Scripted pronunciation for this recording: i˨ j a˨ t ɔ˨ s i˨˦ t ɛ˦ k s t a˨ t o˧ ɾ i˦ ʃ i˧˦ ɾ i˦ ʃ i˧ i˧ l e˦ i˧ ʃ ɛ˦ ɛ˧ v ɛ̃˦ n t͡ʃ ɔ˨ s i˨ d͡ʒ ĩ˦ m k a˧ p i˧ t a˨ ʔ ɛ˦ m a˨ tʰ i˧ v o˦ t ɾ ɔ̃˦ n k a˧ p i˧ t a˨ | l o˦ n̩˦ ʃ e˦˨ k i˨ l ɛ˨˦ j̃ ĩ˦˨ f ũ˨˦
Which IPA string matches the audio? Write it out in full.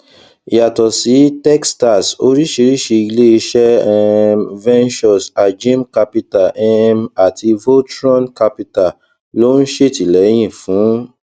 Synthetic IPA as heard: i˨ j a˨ t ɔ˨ s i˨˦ t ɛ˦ k s t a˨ s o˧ ɾ i˦ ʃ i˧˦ ɾ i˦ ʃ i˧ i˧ l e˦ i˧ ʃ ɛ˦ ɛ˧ v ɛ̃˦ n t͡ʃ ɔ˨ s a˨ d͡ʒ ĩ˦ m k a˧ p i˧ t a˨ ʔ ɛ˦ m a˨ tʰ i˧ v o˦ t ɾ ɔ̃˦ n k a˧ p i˧ t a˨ | l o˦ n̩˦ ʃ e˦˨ t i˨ l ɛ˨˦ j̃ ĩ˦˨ f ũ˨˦